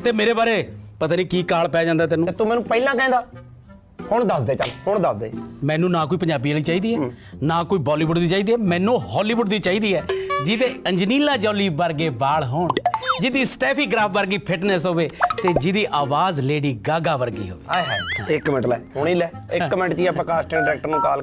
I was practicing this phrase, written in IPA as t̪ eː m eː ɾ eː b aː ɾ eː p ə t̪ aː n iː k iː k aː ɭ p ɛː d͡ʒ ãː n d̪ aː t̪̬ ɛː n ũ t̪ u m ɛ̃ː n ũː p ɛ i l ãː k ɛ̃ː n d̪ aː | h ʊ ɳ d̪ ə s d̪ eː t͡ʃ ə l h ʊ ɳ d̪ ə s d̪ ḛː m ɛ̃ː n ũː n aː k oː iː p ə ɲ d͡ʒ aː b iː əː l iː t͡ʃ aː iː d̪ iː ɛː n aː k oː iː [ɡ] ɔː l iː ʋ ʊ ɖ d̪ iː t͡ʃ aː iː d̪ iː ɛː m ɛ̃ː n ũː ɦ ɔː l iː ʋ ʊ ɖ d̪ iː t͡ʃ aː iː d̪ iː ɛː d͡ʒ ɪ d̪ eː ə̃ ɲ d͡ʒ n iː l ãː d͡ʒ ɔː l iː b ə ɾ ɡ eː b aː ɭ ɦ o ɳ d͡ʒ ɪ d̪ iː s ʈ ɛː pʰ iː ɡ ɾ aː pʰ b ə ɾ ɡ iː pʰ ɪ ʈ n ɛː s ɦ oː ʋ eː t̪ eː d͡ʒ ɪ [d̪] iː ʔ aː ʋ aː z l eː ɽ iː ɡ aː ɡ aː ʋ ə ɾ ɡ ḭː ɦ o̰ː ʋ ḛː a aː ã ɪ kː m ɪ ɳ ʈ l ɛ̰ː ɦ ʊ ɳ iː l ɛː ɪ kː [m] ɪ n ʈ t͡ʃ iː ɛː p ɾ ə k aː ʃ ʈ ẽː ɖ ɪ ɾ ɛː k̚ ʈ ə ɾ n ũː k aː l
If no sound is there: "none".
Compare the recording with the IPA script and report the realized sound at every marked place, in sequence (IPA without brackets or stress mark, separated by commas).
b, d̪, m